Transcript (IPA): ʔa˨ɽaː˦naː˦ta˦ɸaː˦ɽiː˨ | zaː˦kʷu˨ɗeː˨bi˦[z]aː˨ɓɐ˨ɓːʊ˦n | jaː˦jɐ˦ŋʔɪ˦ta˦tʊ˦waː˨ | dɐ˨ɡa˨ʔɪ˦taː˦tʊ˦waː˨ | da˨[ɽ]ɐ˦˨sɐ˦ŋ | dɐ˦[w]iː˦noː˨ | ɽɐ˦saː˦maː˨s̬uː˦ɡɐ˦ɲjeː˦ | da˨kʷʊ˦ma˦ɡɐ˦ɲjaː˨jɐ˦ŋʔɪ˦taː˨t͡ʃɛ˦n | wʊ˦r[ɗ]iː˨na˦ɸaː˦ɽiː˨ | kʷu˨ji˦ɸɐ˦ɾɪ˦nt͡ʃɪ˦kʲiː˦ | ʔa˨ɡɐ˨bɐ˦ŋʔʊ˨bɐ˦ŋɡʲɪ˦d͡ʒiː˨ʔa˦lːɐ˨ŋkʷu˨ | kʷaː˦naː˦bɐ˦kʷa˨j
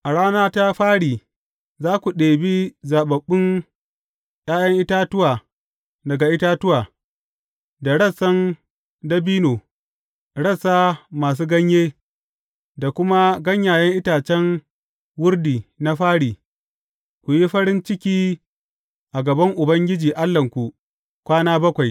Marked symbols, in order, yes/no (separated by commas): yes, yes, no, no